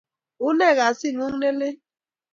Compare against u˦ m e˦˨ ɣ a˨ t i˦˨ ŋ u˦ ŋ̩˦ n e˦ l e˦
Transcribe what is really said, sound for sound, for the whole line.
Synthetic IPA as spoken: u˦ n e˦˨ ɣ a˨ s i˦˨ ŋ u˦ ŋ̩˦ n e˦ l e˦

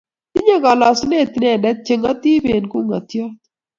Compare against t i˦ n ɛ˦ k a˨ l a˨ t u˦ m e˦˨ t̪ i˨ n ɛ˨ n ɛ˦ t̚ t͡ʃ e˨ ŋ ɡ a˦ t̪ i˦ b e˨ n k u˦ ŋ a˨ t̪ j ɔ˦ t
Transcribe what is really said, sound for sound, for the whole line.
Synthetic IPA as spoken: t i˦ ɲ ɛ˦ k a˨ l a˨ s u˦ n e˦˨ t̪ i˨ n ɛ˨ n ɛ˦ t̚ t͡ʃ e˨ ŋ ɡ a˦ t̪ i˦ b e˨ n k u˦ ŋ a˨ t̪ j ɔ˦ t

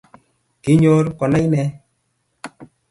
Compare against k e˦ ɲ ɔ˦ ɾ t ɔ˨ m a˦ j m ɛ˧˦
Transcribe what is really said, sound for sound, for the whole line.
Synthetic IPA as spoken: k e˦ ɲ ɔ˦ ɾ k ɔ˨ n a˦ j n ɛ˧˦

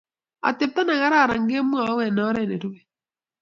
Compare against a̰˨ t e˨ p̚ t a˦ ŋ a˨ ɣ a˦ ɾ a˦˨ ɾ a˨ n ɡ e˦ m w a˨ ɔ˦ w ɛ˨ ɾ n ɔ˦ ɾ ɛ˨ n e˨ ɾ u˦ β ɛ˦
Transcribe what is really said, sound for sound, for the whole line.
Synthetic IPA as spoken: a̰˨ t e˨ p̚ t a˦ n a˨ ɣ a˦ ɾ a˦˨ ɾ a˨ ŋ ɡ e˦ m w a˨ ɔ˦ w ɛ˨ n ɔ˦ ɾ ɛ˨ n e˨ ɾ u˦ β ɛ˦

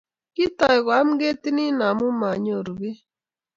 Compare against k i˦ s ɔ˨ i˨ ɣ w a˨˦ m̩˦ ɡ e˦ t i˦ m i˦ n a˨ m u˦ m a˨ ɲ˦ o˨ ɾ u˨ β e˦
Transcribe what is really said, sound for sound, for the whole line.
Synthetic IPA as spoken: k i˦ t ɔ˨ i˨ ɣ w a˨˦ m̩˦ ɡ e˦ t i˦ n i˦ n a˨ m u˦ m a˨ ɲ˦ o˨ ɾ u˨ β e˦

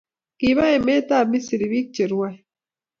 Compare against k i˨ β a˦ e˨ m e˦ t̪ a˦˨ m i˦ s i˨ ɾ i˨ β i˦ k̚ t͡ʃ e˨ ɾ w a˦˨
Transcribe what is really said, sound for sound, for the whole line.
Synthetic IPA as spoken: k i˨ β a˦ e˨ m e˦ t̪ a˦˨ m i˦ s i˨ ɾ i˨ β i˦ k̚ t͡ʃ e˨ ɾ w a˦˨

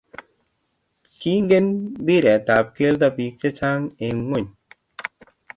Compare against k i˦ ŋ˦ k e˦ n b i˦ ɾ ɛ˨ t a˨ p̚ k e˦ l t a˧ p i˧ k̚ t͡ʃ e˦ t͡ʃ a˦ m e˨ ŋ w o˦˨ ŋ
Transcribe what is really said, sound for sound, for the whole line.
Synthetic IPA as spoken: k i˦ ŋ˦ ɡ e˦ n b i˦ ɾ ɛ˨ t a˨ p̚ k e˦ l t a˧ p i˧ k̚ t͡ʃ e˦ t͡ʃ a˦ ŋ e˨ ŋ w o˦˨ ɲ

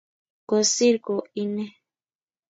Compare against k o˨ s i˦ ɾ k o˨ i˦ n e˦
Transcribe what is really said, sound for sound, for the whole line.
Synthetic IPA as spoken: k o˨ s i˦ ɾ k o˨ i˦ n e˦

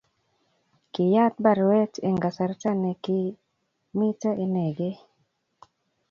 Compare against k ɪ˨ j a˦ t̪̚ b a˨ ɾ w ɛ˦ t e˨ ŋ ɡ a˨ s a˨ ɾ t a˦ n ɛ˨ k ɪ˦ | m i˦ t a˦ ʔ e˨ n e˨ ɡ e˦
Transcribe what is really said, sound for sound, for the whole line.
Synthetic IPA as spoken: k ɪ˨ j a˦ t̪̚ b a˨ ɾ w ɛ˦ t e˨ ŋ ɡ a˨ s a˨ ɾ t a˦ n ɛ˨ k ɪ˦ | m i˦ t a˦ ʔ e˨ n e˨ ɡ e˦

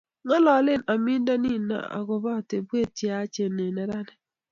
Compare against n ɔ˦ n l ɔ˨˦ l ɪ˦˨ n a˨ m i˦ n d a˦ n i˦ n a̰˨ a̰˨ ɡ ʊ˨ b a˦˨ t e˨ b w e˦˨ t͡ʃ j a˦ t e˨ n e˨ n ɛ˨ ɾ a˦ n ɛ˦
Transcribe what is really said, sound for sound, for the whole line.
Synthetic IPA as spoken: ŋ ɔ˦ l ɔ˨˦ l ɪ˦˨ n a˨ m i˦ n d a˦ n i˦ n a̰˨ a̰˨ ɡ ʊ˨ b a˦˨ t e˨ b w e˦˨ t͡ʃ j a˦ t͡ʃ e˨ n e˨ n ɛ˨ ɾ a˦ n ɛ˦

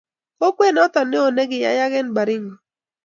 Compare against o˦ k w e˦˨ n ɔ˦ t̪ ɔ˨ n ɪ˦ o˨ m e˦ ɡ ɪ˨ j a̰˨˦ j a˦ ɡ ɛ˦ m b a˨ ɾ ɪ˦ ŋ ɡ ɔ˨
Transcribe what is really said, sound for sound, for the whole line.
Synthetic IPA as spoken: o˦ k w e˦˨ n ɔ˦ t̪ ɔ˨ n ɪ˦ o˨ n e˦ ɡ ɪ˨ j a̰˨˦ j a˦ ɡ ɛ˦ n b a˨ ɾ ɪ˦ ŋ ɡ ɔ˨

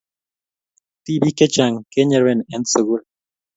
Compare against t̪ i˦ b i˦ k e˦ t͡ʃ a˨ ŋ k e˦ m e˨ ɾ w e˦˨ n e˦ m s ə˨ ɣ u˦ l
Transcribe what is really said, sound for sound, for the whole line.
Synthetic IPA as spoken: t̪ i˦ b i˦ k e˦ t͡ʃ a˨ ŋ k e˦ ɲ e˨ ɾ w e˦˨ n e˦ n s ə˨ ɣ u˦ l

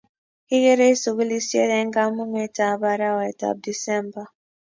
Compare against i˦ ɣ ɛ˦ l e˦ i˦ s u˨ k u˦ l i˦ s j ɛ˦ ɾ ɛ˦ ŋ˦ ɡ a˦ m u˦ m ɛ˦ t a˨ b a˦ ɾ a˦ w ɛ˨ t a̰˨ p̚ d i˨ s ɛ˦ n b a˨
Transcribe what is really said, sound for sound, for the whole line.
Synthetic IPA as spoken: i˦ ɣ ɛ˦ ɾ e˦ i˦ s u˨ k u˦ l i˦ s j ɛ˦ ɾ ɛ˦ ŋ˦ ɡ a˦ m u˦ m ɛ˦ t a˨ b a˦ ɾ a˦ w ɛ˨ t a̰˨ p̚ d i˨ s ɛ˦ m b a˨

